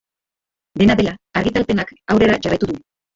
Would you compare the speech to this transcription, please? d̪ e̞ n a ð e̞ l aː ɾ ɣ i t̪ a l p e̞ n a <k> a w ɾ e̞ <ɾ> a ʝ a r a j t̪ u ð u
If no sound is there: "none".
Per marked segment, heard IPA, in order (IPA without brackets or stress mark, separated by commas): k, ɾ